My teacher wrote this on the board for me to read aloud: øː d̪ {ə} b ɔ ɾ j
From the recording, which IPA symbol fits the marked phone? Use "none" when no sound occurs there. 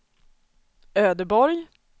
ə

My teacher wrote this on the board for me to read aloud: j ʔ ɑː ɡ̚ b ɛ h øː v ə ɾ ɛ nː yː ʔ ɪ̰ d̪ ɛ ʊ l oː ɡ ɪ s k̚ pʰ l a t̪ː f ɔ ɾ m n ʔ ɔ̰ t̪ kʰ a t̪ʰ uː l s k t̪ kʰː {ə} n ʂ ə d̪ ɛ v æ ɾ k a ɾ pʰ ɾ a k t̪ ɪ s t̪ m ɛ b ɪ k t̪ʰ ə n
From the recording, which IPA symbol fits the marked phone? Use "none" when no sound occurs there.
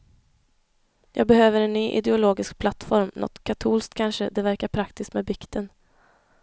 a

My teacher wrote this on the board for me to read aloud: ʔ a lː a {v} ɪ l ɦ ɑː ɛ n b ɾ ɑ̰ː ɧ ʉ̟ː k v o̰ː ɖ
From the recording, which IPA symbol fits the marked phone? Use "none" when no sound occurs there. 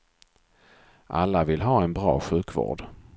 v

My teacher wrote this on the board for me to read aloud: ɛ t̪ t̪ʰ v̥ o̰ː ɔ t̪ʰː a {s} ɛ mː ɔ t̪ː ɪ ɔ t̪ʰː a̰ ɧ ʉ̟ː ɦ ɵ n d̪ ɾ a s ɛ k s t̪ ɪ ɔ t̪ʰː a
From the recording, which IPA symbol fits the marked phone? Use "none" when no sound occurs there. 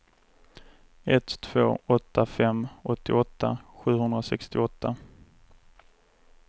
f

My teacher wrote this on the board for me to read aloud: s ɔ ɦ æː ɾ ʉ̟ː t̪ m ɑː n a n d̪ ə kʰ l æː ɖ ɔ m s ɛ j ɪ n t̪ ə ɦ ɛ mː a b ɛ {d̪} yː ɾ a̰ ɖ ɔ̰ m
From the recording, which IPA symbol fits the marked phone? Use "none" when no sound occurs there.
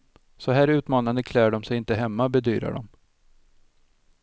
d̪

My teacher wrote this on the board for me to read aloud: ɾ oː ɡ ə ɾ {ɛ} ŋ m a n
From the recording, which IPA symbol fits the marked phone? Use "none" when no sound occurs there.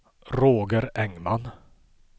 ɛ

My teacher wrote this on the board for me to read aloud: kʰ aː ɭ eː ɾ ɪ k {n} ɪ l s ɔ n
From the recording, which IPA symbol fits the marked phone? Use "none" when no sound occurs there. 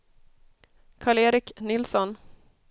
n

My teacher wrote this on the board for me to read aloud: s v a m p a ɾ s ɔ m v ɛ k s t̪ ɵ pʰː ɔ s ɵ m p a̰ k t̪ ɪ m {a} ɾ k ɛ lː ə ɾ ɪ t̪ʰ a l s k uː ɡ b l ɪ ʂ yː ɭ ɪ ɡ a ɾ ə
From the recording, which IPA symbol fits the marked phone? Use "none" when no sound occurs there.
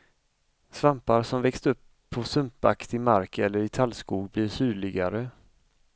a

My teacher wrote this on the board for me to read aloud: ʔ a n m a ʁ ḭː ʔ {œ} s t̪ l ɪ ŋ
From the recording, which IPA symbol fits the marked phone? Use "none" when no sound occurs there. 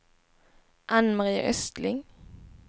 œ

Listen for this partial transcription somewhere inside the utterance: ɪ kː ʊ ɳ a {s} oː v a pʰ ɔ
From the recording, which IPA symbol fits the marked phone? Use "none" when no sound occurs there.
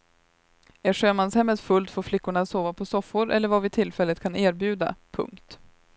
s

